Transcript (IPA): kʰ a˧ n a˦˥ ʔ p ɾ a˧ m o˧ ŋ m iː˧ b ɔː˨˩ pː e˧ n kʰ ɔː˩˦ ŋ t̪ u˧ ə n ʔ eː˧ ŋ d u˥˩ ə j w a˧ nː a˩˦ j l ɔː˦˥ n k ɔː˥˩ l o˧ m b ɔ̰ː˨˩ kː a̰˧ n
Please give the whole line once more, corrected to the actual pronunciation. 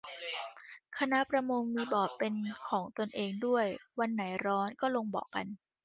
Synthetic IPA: kʰ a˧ n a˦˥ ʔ p ɾ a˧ m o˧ ŋ m iː˧ b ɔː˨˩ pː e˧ n kʰ ɔː˩˦ ŋ t̪ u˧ ə n ʔ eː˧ ŋ d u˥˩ ə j w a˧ nː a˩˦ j ɾ ɔː˦˥ n k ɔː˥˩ l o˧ ŋ b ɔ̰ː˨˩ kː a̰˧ n